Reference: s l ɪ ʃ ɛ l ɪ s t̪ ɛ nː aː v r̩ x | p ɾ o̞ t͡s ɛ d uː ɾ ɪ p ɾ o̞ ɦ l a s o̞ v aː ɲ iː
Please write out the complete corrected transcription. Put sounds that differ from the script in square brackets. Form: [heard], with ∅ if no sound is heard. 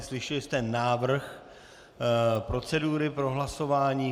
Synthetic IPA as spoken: s l ɪ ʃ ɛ l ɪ s t̪ ɛ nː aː v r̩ x | p ɾ o̞ t͡s ɛ d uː ɾ ɪ p ɾ o̞ ɦ l a s o̞ v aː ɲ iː